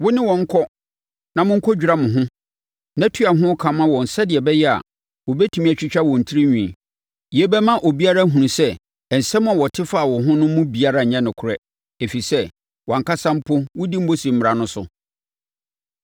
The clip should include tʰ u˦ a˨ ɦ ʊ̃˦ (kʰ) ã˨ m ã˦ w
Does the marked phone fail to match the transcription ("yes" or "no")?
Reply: no